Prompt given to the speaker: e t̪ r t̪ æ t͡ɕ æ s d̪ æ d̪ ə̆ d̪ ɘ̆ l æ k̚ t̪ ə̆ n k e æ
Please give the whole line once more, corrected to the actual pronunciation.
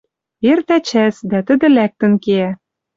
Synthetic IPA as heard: e r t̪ æ t͡ɕ æ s d̪ æ t̪ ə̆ d̪ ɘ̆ l æ k̚ t̪ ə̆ n k e æ